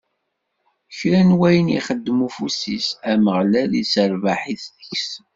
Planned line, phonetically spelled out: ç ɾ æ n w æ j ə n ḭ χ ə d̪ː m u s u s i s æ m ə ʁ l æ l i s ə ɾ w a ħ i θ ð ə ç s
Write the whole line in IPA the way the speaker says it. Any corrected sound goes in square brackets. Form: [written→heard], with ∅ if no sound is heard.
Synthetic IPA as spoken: ç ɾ æ n w æ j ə n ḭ χ ə d̪ː m u [s→f] u s i s æ m ə ʁ l æ l i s ə ɾ [w→v] a ħ i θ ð ə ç s